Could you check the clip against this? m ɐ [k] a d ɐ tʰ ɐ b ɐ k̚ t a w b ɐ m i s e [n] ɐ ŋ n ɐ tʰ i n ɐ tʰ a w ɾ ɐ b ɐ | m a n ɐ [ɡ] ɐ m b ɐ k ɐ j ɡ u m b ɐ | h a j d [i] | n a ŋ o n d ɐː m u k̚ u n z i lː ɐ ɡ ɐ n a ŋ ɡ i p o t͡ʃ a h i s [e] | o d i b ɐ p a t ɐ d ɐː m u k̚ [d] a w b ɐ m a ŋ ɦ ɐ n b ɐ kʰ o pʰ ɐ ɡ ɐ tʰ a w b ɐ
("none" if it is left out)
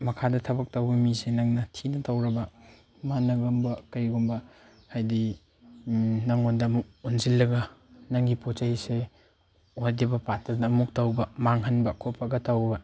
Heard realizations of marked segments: kʰ, n, ɡ, i, e, t

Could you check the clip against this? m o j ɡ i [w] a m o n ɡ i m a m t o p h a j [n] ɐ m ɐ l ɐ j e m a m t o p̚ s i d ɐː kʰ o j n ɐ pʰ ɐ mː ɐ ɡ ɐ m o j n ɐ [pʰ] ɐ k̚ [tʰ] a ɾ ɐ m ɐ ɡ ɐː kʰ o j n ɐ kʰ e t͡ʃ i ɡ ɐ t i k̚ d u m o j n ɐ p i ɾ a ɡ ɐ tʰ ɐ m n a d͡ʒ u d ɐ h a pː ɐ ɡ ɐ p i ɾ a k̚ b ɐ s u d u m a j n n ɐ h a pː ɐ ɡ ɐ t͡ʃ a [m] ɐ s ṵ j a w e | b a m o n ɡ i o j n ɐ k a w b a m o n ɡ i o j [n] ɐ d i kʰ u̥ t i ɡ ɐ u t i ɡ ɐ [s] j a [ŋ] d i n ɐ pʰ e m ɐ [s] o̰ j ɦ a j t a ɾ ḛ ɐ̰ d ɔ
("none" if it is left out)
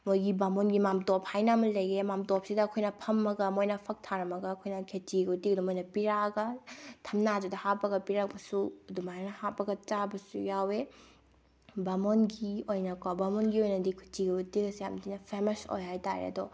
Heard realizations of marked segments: b, n, pʰ, tʰ, b, n, s, m, s

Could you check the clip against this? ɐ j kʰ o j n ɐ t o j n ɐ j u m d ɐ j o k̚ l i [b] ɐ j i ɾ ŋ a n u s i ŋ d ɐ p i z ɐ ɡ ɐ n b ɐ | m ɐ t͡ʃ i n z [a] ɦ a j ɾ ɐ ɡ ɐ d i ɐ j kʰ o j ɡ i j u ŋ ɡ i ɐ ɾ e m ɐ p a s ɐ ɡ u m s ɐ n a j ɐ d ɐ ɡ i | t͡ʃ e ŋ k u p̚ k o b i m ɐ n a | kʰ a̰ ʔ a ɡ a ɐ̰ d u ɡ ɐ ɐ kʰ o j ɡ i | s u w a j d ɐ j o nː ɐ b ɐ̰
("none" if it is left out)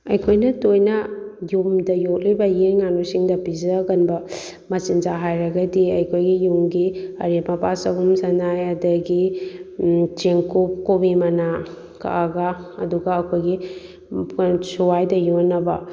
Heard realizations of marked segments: b, a

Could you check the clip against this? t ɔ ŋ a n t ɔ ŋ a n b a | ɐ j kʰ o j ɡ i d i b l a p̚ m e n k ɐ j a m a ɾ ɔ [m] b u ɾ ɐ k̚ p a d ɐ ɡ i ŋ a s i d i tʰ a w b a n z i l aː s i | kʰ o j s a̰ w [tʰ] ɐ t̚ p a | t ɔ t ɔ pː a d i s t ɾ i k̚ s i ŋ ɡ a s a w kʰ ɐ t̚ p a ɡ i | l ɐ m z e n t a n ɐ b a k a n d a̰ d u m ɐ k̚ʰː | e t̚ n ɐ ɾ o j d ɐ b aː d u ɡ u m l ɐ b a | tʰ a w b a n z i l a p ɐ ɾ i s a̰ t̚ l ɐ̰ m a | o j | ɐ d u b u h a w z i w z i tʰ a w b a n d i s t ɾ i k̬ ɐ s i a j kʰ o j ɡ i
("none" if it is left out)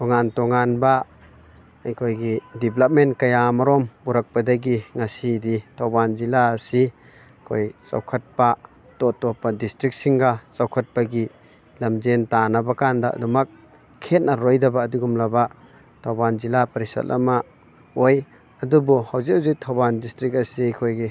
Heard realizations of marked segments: m, kʰ

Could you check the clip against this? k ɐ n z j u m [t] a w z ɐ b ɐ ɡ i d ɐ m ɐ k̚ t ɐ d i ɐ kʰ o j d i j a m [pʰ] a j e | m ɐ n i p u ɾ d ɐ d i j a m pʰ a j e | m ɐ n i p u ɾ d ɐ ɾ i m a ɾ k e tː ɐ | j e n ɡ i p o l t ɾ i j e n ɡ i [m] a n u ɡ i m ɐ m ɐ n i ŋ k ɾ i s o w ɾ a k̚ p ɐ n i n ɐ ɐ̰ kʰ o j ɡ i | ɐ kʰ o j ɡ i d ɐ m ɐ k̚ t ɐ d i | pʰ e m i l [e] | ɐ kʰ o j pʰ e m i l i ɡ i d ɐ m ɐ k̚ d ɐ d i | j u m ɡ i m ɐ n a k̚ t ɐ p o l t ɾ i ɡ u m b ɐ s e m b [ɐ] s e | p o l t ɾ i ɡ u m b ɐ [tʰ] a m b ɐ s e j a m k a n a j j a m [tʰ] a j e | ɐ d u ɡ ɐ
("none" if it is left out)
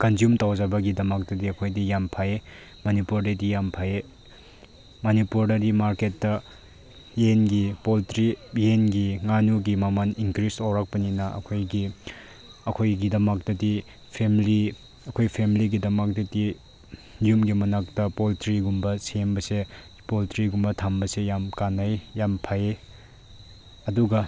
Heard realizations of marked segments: t, pʰ, ŋ, i, ɐ, tʰ, pʰ

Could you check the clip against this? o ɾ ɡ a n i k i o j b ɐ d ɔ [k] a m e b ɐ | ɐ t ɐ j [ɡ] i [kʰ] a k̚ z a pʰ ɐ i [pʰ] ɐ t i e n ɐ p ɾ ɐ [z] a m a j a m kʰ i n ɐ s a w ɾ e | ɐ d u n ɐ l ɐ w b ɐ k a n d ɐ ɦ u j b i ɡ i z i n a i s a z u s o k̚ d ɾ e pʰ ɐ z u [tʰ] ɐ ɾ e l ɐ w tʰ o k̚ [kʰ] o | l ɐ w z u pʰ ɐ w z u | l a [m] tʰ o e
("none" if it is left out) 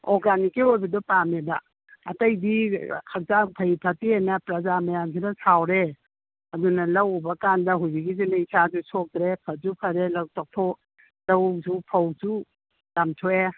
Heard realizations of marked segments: p, d, kʰ, pʰ, z, pʰ, tʰ, m

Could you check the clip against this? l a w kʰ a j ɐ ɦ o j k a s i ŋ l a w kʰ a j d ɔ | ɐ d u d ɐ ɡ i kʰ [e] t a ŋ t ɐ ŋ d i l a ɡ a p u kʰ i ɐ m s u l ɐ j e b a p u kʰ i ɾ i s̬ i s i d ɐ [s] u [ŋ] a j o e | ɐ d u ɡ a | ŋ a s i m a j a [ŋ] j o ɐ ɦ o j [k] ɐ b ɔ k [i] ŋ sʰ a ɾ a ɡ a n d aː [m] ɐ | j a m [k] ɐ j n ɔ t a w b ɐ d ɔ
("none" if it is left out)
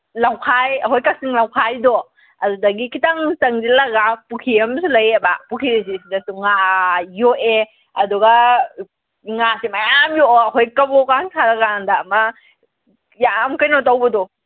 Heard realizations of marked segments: i, s, ŋ, m, k, a, m, k

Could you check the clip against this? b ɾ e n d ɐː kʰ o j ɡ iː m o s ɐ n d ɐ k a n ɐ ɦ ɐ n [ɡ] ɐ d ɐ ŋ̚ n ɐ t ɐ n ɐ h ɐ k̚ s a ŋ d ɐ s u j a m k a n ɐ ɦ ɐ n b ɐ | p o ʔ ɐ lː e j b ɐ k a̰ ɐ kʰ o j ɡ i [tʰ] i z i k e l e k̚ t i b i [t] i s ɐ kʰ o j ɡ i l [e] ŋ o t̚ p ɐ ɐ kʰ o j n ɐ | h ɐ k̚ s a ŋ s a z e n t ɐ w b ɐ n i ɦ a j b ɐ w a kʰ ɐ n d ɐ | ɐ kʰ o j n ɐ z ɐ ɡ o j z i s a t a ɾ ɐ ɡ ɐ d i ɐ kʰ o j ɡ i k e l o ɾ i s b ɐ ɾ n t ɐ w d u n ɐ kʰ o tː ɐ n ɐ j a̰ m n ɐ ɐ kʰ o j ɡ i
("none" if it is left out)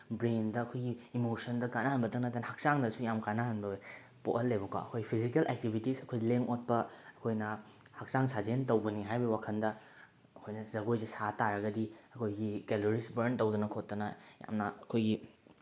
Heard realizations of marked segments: b, pʰ, t, e

